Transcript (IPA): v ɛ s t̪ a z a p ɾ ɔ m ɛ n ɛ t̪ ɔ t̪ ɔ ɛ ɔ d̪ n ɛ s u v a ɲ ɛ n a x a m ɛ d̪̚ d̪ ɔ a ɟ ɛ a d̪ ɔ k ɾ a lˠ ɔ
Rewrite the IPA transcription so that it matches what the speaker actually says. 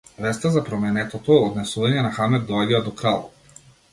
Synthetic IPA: v ɛ s t̪ a z a p ɾ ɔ m ɛ n ɛ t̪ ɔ t̪ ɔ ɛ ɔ d̪ n ɛ s u v a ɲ ɛ n a x a m ɛ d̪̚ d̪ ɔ a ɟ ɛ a d̪ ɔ k ɾ a lˠ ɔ